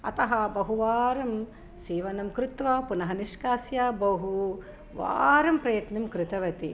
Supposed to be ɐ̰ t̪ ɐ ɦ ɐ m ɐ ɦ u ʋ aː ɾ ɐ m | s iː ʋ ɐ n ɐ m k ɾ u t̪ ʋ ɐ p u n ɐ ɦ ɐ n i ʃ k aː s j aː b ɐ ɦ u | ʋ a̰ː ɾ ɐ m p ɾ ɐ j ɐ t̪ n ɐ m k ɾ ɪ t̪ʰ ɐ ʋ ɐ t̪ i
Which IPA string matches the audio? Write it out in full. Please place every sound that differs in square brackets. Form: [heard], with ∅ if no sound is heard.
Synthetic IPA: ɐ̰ t̪ ɐ ɦ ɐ [b] ɐ ɦ u ʋ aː ɾ ɐ m | s iː ʋ ɐ n ɐ m k ɾ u t̪ ʋ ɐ p u n ɐ ɦ ɐ n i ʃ k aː s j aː b ɐ ɦ u | ʋ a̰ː ɾ ɐ m p ɾ ɐ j ɐ t̪ n ɐ m k ɾ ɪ [t̪] ɐ ʋ ɐ t̪ i